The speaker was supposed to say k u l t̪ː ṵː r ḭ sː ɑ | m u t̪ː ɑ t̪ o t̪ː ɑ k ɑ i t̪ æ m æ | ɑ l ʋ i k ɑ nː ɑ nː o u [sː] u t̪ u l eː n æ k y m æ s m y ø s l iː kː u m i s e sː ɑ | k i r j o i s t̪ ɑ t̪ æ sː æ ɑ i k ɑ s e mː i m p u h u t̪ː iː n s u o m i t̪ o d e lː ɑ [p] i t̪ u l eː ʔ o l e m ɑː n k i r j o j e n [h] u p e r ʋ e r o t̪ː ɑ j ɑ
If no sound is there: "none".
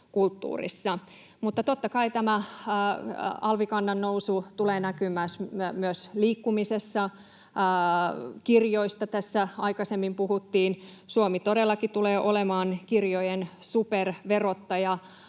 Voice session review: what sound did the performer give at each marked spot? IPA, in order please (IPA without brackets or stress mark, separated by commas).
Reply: s, k, s